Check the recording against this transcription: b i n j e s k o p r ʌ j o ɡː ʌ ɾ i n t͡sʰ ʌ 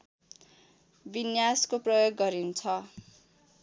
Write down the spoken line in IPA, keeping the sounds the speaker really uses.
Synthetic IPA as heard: b i n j a s k o p r ʌ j o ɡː ʌ ɾ i n t͡sʰ ʌ